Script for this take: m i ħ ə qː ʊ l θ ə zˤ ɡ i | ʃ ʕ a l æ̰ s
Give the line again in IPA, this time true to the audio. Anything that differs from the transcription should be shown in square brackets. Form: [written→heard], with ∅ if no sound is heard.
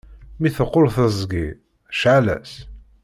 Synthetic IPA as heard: m i [ħ→θ] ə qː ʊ l θ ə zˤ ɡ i | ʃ ʕ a l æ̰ s